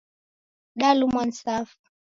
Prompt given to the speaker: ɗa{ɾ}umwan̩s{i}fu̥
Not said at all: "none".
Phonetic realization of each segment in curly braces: l, a

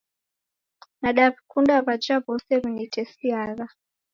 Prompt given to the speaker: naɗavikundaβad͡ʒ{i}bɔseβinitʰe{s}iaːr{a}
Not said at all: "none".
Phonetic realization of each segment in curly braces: a, s, a

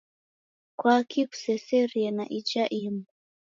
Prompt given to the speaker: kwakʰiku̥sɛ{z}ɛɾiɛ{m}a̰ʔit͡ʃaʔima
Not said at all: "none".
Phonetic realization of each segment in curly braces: s, n

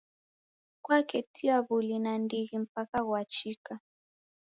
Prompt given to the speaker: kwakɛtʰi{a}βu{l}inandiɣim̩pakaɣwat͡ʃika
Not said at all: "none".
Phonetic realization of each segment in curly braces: a, l

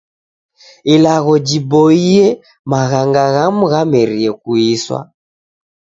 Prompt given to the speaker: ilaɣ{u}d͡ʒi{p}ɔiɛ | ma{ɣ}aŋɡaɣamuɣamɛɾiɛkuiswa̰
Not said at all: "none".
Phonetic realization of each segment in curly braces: ɔ, b, ɣ

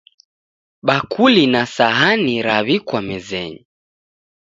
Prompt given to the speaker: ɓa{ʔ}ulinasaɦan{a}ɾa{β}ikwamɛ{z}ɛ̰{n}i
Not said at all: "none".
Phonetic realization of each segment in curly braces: k, i, β, z, ɲ

